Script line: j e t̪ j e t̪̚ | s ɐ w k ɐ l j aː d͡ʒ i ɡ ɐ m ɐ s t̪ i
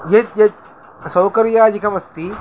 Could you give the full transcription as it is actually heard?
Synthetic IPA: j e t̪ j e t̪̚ | s ɐ w k ɐ ɾ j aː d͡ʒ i k ɐ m ɐ s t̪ i